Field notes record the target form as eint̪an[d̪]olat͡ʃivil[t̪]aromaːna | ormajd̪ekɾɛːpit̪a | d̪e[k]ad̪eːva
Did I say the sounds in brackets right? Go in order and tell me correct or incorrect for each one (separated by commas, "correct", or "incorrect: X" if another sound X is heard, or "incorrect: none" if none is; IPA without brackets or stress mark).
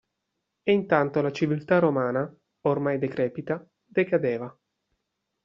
incorrect: t̪, correct, correct